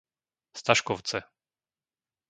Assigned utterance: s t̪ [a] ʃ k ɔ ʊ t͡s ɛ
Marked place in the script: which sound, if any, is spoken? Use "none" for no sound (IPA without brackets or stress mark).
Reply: a